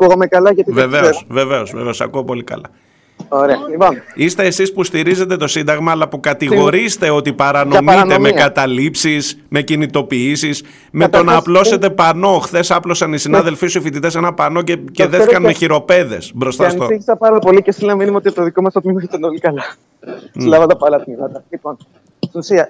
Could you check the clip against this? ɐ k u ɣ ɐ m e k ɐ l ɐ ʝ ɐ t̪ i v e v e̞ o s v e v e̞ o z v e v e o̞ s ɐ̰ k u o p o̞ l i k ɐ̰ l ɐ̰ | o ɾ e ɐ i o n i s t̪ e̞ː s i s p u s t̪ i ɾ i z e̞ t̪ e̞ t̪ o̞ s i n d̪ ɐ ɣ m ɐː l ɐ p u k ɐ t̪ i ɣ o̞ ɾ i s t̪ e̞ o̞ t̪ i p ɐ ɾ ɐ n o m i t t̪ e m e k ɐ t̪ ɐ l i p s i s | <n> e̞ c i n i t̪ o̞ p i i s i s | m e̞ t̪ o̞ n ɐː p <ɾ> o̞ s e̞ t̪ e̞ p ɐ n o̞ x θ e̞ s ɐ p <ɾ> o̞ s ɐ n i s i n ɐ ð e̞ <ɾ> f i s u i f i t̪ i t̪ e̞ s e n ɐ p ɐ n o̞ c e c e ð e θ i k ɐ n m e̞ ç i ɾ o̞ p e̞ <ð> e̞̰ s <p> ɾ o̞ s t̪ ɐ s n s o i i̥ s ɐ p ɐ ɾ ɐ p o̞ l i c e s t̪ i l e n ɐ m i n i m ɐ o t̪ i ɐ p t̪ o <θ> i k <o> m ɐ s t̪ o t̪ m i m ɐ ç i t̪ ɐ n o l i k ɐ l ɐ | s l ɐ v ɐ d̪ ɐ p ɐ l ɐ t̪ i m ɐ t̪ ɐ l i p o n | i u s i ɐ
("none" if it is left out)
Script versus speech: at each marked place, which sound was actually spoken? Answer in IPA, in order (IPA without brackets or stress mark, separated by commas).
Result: m, l, l, l, ð, b, ð, o